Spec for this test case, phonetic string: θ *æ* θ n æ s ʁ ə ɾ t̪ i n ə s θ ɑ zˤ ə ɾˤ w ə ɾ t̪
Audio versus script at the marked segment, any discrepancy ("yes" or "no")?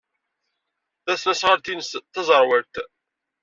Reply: no